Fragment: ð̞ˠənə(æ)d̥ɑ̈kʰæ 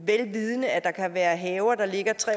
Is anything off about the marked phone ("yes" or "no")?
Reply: no